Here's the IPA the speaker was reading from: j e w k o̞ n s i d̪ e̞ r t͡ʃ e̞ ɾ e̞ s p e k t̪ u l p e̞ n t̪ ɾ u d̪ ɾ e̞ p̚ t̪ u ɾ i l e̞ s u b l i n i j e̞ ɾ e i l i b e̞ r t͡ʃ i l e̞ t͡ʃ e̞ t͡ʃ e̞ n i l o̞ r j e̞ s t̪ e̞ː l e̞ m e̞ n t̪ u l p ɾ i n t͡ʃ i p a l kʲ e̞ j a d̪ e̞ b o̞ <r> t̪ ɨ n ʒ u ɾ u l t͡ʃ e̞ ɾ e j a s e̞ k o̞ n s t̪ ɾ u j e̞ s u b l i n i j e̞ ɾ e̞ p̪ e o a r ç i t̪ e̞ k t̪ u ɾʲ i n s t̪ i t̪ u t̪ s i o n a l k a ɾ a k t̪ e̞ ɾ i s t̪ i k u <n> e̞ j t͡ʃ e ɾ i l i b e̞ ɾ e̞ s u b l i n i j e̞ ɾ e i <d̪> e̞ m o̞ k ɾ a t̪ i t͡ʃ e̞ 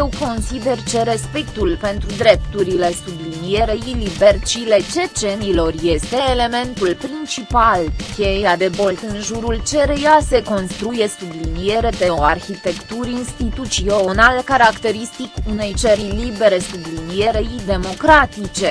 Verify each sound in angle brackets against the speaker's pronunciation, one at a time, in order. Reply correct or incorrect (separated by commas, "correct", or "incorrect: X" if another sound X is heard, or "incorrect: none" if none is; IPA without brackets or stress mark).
incorrect: l, correct, correct